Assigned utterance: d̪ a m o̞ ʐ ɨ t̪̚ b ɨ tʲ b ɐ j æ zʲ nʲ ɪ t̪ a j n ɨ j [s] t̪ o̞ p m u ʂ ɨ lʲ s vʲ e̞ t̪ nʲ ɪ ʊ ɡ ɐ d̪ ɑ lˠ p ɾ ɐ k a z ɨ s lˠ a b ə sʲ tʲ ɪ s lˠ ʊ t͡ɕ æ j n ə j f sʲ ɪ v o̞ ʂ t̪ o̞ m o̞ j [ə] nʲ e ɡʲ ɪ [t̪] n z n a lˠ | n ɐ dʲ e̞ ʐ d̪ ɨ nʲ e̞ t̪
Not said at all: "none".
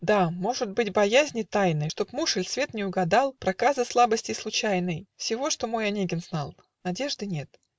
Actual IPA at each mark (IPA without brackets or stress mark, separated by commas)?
ʂ, ɐ, none